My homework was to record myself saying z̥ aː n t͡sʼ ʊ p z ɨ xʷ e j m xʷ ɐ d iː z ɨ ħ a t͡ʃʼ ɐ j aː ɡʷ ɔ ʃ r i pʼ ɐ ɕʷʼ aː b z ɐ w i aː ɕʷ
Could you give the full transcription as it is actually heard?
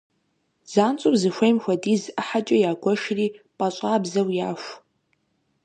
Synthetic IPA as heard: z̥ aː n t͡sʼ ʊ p z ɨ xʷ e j m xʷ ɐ d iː z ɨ ħ a t͡ʃʼ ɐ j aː ɡʷ ɔ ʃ r iː pʼ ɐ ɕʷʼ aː b z ɐ w j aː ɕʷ